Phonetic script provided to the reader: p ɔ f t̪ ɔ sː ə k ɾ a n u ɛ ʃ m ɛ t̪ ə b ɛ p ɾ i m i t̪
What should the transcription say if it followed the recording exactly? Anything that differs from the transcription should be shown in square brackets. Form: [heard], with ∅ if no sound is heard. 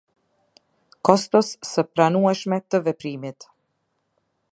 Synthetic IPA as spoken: [k] ɔ [s] t̪ ɔ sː ə [p] ɾ a n u ɛ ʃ m ɛ t̪ ə [v] ɛ p ɾ i m i t̪